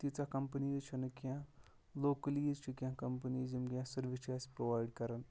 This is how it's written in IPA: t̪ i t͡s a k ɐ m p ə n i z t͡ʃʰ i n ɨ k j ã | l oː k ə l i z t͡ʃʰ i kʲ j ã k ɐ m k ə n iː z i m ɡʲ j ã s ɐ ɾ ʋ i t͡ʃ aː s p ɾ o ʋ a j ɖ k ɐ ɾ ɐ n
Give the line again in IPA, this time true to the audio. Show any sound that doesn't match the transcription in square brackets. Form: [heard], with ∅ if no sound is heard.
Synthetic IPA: t̪ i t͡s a k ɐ m p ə n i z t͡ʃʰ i n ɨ k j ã | l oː k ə l i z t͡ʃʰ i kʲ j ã k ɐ m [p] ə n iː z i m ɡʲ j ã s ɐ ɾ ʋ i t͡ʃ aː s p ɾ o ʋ a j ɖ k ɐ ɾ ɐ n

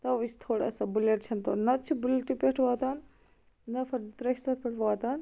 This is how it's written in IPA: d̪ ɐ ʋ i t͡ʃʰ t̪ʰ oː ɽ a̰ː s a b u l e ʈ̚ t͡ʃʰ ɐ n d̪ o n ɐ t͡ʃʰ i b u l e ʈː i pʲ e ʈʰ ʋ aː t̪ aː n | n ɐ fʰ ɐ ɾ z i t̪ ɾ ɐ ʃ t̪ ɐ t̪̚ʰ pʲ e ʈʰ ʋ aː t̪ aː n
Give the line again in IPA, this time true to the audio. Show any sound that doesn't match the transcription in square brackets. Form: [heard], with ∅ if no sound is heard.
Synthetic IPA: [t̪] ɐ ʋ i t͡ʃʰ t̪ʰ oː ɽ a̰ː s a b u l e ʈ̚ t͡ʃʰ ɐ n [t̪] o n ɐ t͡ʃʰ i b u l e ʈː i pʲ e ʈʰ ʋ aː t̪ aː n | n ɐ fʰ ɐ ɾ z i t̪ ɾ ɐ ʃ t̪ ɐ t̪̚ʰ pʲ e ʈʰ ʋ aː t̪ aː n

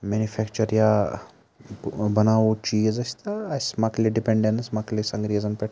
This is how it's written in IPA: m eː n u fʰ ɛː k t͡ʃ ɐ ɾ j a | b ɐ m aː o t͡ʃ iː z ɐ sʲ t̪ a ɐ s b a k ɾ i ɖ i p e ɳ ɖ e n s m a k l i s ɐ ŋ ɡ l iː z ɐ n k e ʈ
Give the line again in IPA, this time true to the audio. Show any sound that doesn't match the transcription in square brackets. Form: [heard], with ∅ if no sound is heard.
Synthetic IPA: m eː n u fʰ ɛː k t͡ʃ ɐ ɾ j a | b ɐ [n] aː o t͡ʃ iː z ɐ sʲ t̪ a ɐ s [m] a k [l] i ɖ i p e ɳ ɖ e n s m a k l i s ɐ ŋ ɡ [ɾ] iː z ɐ n [p] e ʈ

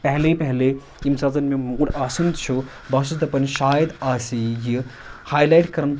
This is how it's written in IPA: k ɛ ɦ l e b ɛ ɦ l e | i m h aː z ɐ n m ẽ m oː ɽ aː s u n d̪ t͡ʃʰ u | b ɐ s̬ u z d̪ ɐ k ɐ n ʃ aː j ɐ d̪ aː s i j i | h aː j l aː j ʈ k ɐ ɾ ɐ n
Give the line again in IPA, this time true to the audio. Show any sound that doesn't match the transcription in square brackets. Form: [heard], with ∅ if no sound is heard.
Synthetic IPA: [p] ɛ ɦ l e [p] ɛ ɦ l e | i m [s] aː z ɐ n m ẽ m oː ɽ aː s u n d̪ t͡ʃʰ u | b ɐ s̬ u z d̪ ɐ [p] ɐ n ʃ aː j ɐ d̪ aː s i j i | h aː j l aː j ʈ k ɐ ɾ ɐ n

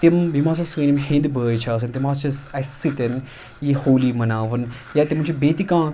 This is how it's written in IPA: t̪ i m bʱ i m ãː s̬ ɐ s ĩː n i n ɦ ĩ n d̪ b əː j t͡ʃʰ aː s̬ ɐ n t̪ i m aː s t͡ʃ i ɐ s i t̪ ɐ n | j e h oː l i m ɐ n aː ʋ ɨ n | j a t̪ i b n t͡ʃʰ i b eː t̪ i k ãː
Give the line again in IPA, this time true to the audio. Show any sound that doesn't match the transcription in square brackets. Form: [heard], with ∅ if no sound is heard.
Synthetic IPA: t̪ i m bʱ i m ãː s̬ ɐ s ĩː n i [m] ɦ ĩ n d̪ b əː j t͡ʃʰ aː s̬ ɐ n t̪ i m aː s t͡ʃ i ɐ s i t̪ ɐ n | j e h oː l i m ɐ n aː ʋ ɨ n | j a t̪ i [m] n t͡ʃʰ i b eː t̪ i k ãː

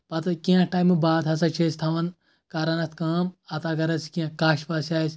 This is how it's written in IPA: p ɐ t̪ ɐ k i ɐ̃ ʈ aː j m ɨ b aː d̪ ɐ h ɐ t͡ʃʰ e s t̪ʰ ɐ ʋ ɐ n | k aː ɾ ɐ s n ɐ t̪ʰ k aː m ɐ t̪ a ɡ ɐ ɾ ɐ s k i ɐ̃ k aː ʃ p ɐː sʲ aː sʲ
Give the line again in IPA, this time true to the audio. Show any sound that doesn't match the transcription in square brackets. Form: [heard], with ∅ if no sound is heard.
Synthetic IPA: p ɐ t̪ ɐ k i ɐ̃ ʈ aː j m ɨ b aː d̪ ɐ [s] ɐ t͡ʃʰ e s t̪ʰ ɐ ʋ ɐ n | k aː ɾ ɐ [∅] n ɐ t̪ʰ k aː m ɐ t̪ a ɡ ɐ ɾ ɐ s k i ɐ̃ k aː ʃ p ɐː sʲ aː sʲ

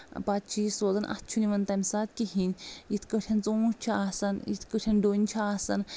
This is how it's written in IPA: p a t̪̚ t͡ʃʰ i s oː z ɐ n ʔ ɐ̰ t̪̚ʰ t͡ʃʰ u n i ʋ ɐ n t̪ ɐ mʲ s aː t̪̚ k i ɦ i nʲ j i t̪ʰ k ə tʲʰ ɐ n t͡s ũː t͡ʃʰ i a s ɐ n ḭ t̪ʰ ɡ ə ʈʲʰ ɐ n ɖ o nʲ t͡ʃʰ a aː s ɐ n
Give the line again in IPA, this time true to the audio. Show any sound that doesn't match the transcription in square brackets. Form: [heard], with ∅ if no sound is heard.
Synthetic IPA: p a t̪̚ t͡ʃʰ i s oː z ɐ n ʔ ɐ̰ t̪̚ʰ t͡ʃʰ u n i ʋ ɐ n t̪ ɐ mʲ s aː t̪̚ k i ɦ i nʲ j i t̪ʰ k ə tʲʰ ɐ n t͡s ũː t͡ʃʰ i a s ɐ n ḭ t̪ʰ [k] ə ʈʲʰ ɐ n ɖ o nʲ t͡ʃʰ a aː s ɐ n

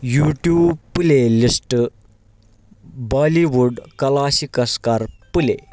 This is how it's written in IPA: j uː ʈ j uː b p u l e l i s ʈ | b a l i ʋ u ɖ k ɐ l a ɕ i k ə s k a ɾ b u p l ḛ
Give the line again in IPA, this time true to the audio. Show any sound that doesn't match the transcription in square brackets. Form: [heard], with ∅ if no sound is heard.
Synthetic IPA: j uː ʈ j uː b p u l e l i s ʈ | b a l i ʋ u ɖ k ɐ l a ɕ i k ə s k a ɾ [p] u [∅] l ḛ

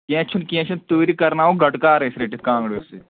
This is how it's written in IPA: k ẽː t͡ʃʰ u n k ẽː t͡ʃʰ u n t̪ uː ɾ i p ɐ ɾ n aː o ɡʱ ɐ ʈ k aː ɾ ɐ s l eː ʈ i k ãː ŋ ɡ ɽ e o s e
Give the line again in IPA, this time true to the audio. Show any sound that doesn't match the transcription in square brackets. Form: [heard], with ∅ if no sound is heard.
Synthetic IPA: k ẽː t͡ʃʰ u n k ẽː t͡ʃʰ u n t̪ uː ɾ i [k] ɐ ɾ n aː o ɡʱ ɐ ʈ k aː ɾ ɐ s [ɾ] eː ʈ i k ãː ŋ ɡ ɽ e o s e

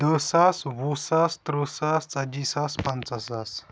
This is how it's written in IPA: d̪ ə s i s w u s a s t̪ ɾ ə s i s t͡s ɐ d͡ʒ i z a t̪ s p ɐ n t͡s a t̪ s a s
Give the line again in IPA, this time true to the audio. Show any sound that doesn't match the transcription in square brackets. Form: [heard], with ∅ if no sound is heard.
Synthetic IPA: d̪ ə s [a] s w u s a s t̪ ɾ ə s [a] s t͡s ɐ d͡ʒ i [s] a [∅] s p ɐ n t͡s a [∅] s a s

